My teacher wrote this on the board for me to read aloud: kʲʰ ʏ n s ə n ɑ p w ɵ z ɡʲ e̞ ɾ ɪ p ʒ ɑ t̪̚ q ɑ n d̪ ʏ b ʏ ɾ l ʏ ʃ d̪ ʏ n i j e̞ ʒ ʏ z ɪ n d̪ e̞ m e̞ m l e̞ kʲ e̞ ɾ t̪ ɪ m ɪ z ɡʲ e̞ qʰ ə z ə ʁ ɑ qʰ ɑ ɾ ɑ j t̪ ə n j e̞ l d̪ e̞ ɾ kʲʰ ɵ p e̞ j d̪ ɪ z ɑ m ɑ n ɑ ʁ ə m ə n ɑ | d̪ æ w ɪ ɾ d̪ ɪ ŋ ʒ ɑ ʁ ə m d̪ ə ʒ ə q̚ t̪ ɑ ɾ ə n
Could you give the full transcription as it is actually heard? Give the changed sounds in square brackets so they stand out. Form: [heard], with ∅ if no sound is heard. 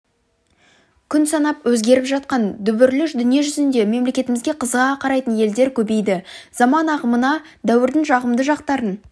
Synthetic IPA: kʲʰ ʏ n s [ɑ] n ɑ p w ɵ z ɡʲ e̞ ɾ ɪ p ʒ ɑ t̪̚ q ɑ n d̪ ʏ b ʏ ɾ l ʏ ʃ d̪ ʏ n i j e̞ ʒ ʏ z ɪ n d̪ e̞ m e̞ m l e̞ kʲ e̞ [∅] t̪ ɪ m ɪ z ɡʲ e̞ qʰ ə z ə ʁ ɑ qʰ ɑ ɾ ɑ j t̪ ə n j e̞ l d̪ e̞ ɾ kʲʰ ɵ [b] e̞ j d̪ ɪ z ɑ m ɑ n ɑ ʁ ə m ə n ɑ | d̪ æ w ɪ ɾ d̪ ɪ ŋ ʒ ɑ ʁ ə m d̪ ə ʒ [ɑ] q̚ t̪ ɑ ɾ ə n